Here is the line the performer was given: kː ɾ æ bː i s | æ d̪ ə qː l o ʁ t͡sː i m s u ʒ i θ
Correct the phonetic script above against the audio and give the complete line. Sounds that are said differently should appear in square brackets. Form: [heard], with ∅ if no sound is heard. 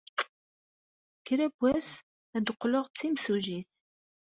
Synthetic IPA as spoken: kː ɾ æ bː [æ] s | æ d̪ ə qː l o ʁ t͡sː i m s u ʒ i θ